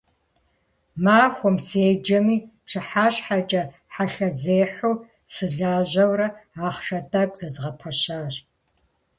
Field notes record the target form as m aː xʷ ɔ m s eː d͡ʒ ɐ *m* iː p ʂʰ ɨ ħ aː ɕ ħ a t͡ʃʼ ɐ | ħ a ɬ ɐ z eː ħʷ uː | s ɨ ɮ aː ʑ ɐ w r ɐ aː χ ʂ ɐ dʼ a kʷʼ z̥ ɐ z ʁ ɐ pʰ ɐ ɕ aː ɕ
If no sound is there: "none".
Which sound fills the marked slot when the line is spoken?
m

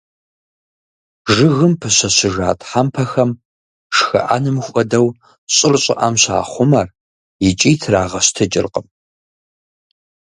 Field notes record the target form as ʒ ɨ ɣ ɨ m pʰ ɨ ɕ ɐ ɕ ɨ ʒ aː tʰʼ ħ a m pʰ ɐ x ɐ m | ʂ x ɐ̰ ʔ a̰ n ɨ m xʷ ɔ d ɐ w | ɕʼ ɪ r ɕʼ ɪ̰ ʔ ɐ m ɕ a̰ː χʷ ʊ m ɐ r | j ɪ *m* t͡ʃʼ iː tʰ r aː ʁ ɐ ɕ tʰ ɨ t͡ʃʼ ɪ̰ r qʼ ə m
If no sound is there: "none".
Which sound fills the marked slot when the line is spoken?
none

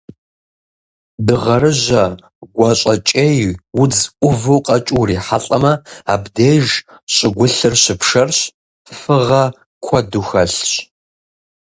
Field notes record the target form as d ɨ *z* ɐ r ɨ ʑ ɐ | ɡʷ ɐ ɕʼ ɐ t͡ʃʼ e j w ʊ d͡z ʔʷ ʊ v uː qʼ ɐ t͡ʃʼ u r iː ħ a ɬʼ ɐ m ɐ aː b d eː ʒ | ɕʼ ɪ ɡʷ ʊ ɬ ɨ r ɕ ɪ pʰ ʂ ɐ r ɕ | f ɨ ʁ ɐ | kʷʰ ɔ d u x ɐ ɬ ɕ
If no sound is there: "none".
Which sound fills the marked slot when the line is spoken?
ʁ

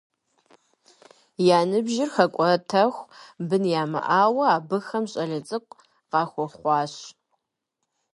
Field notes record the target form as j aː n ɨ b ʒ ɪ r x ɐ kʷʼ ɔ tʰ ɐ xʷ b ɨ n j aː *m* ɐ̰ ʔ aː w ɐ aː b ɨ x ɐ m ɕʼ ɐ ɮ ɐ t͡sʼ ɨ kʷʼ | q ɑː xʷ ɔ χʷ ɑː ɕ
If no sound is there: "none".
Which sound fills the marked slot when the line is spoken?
m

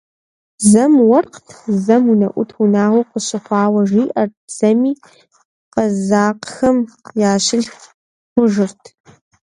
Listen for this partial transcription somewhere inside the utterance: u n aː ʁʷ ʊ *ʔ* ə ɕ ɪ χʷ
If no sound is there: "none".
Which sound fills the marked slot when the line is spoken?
q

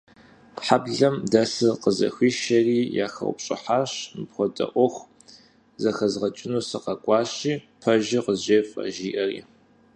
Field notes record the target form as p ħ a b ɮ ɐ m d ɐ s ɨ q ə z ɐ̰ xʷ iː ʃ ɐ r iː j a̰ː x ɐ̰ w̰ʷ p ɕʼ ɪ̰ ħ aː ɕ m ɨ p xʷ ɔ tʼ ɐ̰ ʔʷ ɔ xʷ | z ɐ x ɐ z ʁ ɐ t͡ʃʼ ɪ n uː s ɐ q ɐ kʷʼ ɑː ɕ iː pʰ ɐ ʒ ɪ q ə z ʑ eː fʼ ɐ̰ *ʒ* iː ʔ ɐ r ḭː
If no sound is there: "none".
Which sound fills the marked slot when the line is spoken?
ʒ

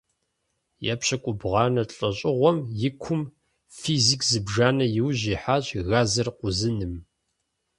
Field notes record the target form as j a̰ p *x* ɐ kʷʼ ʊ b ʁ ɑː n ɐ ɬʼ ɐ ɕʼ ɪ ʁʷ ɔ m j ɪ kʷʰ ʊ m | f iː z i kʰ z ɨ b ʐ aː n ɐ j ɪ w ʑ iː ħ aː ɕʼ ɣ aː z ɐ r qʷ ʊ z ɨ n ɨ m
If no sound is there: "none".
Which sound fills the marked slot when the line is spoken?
ɕ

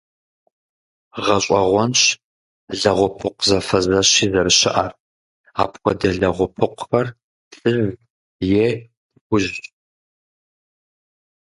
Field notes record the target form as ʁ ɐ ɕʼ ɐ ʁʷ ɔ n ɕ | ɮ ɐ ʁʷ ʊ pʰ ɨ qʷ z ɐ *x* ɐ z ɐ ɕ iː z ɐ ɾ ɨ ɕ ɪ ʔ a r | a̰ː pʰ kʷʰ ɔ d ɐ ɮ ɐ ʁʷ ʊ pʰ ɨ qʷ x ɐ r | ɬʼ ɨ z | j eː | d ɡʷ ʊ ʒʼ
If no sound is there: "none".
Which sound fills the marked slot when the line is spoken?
f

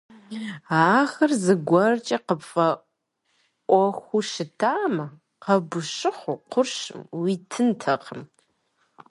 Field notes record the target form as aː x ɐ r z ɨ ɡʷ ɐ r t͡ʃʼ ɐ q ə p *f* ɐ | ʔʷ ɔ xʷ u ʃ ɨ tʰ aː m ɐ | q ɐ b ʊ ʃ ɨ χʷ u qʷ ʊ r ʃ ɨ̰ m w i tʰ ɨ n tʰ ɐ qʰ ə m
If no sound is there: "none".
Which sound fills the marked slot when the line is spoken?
f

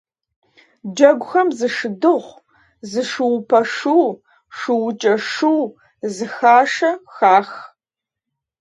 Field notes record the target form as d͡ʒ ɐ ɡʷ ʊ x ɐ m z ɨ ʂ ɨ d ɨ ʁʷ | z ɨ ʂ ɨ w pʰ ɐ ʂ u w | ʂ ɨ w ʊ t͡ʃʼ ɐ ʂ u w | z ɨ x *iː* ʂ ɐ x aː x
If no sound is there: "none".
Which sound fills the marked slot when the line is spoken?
aː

